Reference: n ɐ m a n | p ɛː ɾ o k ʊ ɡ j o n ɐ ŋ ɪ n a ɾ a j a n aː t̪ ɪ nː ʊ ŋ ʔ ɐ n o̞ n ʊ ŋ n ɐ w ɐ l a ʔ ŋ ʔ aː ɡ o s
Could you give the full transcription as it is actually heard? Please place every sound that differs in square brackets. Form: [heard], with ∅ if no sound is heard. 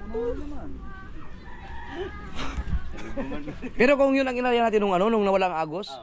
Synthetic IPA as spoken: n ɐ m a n | p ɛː ɾ o k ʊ [ŋ] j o n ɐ ŋ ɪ n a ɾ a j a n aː t̪ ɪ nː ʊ ŋ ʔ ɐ n o̞ n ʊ ŋ n ɐ w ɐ l a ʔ ŋ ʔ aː ɡ o s